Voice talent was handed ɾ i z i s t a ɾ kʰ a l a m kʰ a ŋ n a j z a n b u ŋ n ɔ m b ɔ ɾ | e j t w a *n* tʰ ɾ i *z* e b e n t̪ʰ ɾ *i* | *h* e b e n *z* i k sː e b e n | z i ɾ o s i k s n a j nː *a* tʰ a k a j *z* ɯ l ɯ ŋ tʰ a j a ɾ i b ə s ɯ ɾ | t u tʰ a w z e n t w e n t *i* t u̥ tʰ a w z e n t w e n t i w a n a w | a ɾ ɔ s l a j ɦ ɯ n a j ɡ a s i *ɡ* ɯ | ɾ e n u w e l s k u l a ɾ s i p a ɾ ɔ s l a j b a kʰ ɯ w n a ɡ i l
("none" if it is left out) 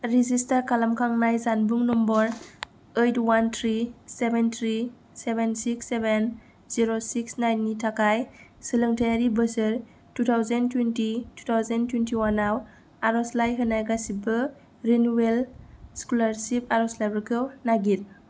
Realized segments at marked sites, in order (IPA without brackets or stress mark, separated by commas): n, s, i, s, s, i, s, i, b